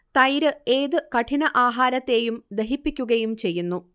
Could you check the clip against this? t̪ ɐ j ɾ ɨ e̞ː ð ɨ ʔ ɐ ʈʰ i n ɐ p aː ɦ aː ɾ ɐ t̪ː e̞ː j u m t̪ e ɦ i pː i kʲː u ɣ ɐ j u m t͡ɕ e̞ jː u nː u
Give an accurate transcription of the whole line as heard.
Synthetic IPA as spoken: t̪ ɐ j ɾ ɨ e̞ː ð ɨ k ɐ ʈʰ i n ɐ ʔ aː ɦ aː ɾ ɐ t̪ː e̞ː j u m d̪ e ɦ i pː i kʲː u ɣ ɐ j u m t͡ɕ e̞ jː u nː u